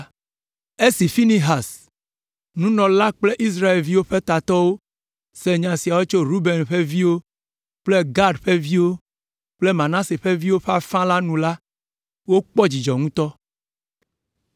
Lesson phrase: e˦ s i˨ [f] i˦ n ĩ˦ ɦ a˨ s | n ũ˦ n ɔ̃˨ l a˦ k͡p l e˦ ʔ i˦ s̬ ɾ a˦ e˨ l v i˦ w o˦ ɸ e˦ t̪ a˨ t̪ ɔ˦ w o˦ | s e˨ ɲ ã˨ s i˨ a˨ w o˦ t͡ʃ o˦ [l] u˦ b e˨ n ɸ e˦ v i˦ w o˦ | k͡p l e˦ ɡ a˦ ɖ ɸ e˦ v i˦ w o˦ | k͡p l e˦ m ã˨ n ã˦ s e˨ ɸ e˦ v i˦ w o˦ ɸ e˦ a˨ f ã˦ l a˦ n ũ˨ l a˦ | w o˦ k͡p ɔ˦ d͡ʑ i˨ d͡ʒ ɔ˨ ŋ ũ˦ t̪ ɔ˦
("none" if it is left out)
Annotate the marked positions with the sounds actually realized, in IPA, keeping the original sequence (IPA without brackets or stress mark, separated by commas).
f, ɾ